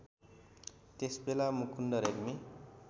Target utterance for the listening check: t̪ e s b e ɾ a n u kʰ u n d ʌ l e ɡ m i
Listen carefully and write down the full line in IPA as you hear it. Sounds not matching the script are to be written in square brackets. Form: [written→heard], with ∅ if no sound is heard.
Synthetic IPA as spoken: t̪ e s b e [ɾ→l] a [n→m] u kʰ u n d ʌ [l→ɾ] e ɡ m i